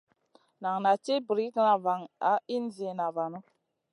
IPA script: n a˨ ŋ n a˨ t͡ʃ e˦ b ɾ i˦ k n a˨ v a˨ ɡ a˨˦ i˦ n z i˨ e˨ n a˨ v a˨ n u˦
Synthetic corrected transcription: n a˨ ŋ n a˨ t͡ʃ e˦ b ɾ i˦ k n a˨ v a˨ ŋ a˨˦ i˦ n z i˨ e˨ n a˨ v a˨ n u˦